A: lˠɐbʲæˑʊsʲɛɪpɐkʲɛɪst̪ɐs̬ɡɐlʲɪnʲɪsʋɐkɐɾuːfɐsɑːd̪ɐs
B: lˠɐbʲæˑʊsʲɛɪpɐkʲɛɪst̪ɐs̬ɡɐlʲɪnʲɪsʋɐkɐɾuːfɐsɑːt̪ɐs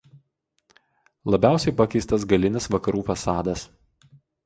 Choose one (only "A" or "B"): A